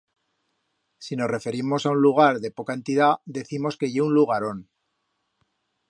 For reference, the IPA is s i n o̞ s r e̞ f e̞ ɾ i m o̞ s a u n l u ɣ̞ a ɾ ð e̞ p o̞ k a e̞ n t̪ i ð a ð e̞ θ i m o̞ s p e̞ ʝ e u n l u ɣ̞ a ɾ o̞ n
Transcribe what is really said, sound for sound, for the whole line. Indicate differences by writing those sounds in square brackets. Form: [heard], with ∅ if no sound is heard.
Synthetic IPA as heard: s i n o̞ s r e̞ f e̞ ɾ i m o̞ s a u n l u ɣ̞ a ɾ ð e̞ p o̞ k a e̞ n t̪ i ð a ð e̞ θ i m o̞ s [k] e̞ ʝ e u n l u ɣ̞ a ɾ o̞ n

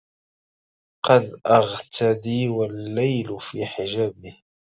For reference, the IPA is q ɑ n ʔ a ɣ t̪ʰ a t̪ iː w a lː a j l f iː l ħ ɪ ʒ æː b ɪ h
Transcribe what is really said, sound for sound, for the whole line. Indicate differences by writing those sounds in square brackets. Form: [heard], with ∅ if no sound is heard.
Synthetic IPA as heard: q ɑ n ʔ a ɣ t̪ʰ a [d̪] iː w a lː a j l f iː [∅] ħ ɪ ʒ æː b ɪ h

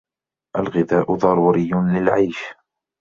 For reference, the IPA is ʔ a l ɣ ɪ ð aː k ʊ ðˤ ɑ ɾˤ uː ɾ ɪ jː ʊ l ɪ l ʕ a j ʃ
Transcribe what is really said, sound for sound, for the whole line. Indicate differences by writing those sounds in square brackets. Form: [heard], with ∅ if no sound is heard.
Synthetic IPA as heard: ʔ a l ɣ ɪ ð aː [ʔ] ʊ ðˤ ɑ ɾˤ uː ɾ ɪ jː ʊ l ɪ l ʕ a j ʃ

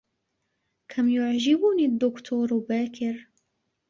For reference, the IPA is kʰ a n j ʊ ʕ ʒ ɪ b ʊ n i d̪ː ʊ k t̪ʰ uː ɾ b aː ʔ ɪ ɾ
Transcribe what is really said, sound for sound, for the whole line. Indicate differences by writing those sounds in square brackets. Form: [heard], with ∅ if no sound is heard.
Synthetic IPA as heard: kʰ a [m] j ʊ ʕ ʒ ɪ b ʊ n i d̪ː ʊ k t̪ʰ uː ɾ b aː [k] ɪ ɾ

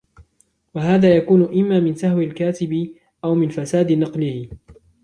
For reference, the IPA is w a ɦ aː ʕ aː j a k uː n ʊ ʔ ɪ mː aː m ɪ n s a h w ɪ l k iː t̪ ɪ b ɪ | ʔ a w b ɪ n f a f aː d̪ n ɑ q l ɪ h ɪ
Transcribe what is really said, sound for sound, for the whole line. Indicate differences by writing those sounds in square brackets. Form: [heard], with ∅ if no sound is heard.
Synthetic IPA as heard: w a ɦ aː [ð] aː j a k uː n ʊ ʔ ɪ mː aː m ɪ n s a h w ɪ l k [aː] t̪ ɪ b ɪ | ʔ a w [m] ɪ n f a [s] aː d̪ n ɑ q l ɪ h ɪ

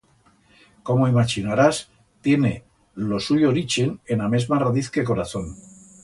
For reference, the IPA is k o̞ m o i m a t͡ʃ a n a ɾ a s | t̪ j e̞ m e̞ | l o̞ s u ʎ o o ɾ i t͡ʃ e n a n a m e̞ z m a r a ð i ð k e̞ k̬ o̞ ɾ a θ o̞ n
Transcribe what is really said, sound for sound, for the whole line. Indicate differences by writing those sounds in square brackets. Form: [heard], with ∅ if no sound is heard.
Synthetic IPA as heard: k o̞ m o i m a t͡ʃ [i] n a ɾ a s | t̪ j e̞ [n] e̞ | l o̞ s u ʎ o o ɾ i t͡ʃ e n [e] n a m e̞ z m a r a ð i [θ] k e̞ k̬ o̞ ɾ a θ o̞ n

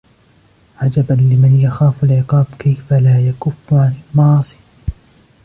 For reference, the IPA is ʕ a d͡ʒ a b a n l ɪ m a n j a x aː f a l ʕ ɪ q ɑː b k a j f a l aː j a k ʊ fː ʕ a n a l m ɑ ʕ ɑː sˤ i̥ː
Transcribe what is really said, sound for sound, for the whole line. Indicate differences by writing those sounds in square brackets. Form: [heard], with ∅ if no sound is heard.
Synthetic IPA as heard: ʕ a d͡ʒ a b a n l ɪ m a n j a x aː f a l ʕ ɪ q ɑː b k a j f a l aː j a k ʊ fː ʕ a n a l m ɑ ʕ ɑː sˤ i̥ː

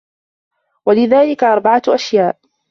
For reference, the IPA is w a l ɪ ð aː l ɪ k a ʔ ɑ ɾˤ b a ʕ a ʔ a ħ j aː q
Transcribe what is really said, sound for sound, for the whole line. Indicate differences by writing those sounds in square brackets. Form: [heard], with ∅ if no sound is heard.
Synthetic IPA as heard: w a l ɪ ð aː l ɪ k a ʔ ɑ ɾˤ b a ʕ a ʔ a [ʃ] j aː [ʔ]

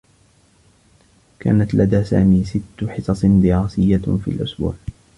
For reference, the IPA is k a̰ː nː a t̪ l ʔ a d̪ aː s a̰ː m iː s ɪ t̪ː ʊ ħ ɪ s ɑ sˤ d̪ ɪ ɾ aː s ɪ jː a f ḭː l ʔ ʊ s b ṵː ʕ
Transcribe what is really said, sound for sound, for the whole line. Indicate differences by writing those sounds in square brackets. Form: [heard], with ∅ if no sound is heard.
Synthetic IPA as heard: k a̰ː [n] a t̪ l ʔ a d̪ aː s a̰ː m iː s ɪ t̪ː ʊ ħ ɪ s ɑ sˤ d̪ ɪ ɾ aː s ɪ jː a f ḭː l ʔ ʊ s b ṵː ʕ

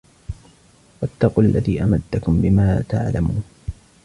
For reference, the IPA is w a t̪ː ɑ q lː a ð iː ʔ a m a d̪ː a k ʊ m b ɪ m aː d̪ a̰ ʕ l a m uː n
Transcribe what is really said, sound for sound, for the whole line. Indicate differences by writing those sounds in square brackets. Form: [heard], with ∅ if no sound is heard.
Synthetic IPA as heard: w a t̪ː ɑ q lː a ð iː ʔ a m a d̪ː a k ʊ m b ɪ m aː [t̪] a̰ ʕ l a m uː n

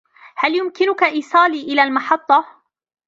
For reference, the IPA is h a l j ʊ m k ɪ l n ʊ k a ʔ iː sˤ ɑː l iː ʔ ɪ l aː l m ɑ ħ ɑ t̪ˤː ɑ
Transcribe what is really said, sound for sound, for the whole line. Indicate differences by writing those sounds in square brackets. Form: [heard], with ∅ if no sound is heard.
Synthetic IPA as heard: h a l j ʊ m k ɪ [∅] n ʊ k a ʔ iː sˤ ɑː l iː ʔ ɪ l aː l m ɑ ħ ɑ t̪ˤː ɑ

